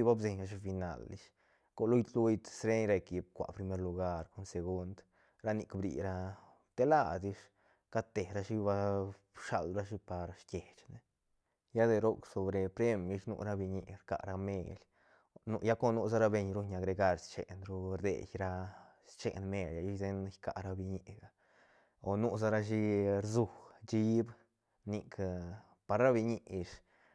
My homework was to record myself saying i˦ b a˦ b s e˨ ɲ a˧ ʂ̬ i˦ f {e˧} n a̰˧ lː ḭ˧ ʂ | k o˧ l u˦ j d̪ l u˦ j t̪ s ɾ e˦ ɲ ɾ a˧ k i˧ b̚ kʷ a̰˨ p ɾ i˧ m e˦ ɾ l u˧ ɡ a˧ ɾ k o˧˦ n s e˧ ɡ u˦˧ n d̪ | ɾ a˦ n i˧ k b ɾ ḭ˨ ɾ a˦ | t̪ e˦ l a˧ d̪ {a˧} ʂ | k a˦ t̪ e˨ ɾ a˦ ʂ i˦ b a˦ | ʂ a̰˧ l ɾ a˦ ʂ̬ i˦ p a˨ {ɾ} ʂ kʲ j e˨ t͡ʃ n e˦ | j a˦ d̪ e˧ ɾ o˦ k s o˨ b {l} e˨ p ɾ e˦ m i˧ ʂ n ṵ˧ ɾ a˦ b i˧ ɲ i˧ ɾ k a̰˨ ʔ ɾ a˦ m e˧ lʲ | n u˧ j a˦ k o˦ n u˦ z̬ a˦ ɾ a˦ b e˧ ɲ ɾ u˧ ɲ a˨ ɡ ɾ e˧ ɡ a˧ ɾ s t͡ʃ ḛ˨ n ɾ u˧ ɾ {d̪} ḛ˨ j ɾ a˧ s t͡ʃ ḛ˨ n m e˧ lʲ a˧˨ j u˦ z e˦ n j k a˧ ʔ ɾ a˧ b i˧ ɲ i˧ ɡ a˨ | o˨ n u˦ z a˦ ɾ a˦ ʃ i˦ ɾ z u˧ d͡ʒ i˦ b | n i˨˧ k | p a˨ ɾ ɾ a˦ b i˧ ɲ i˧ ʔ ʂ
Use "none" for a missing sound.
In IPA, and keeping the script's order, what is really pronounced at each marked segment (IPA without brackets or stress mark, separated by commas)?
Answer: i˧, i˧, ɾ, ɾ, d̪